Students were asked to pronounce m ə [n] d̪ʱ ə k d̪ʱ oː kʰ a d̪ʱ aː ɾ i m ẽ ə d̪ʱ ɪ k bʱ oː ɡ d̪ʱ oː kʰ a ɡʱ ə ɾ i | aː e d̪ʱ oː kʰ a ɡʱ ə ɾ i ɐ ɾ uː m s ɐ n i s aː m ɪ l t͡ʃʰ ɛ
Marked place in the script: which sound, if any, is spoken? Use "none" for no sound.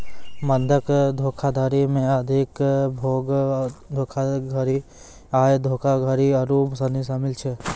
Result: n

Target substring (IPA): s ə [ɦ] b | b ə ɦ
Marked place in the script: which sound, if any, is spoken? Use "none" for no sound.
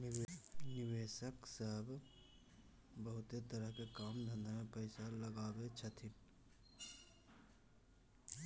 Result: ɦ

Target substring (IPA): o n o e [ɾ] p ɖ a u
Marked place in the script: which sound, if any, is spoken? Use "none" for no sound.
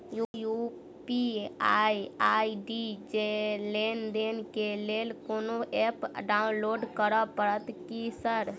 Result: none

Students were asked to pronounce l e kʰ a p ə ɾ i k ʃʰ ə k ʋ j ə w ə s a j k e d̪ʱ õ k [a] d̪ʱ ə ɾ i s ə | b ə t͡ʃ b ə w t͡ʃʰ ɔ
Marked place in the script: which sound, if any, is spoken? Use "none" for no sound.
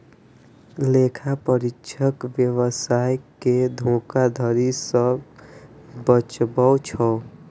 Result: a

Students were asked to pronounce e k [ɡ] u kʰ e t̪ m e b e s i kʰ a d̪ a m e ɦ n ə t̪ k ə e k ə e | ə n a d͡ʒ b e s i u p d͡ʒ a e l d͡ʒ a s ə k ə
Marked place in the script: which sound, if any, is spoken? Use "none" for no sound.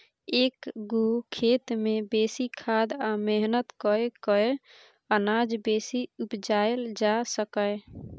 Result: ɡ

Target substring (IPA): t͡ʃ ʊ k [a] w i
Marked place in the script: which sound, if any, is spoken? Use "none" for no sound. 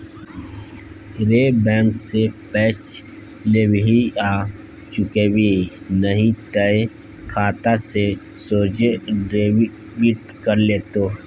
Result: e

